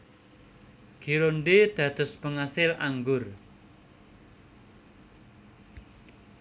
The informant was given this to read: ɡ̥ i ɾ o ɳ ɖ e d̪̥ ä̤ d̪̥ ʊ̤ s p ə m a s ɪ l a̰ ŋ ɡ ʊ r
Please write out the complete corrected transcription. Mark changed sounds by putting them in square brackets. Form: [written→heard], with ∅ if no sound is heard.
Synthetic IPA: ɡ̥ i ɾ o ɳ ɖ e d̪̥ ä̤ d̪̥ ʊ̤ s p ə [m→ŋ] a s ɪ l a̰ ŋ ɡ ʊ r